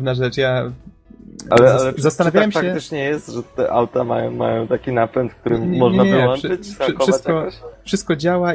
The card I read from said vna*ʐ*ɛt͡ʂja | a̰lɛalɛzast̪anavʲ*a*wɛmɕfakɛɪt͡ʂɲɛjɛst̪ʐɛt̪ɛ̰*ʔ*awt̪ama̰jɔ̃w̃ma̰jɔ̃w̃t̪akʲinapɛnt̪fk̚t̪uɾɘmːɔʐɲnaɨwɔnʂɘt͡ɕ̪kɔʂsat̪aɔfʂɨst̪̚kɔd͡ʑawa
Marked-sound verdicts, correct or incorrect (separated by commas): correct, correct, correct